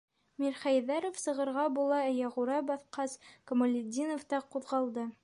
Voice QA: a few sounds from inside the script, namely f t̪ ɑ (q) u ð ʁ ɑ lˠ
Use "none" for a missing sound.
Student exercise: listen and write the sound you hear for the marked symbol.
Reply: q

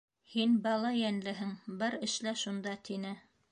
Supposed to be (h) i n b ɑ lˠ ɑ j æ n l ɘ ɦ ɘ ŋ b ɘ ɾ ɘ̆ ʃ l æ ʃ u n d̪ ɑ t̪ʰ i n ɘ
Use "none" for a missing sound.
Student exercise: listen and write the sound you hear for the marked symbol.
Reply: h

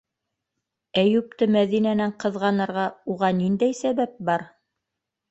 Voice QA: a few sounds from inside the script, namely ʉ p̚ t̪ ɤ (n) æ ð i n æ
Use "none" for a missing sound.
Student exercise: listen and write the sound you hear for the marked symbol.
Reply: m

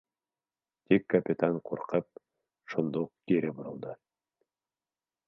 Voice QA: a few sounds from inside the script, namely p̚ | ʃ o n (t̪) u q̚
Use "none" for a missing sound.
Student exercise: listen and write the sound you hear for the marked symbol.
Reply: d̪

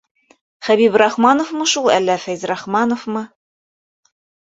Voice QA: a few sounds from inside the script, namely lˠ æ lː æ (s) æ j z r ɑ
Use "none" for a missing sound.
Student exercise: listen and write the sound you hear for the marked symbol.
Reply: f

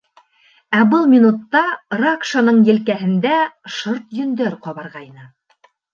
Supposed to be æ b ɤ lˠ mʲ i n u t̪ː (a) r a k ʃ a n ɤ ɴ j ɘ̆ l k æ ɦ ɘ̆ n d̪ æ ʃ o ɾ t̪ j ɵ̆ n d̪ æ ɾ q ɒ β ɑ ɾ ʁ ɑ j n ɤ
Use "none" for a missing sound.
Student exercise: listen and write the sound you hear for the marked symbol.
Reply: ɑ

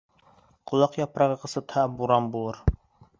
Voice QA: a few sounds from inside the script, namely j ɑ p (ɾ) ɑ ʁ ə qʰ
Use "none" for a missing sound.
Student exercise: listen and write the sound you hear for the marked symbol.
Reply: ɾ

